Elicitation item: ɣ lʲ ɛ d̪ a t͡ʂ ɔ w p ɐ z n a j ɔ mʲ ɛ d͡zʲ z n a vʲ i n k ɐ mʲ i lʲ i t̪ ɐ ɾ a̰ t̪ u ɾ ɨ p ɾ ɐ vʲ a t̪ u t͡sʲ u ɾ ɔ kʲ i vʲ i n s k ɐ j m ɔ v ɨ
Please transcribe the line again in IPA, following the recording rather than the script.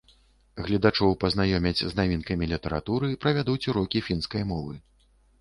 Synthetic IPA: ɣ lʲ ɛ d̪ a t͡ʂ ɔ w p ɐ z n a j ɔ mʲ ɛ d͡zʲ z n a vʲ i n k ɐ mʲ i lʲ i t̪ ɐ ɾ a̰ t̪ u ɾ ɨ p ɾ ɐ vʲ a d̪ u t͡sʲ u ɾ ɔ kʲ i fʲ i n s k ɐ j m ɔ v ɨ